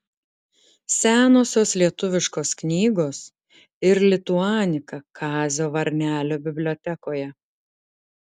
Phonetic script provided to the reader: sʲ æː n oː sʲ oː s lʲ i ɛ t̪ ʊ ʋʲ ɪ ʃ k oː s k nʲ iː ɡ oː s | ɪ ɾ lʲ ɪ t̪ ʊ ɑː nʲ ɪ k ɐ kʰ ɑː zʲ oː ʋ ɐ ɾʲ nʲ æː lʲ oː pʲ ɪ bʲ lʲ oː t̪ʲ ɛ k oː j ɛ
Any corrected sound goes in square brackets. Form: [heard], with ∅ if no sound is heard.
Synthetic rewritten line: sʲ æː n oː sʲ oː s lʲ i ɛ t̪ ʊ ʋʲ ɪ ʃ k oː s k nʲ iː ɡ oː s | ɪ ɾ lʲ ɪ t̪ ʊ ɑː nʲ ɪ k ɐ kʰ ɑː zʲ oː ʋ ɐ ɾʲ nʲ æː lʲ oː [bʲ] ɪ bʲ lʲ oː t̪ʲ ɛ k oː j ɛ